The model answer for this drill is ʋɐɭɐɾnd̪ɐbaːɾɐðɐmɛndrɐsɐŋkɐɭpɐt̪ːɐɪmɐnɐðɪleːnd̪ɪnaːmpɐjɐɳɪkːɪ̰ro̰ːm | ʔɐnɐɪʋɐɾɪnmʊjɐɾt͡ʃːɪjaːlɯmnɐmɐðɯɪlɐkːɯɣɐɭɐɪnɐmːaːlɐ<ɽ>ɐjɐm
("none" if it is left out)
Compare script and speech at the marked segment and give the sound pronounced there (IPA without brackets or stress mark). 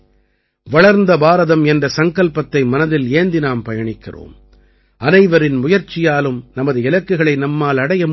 ɽ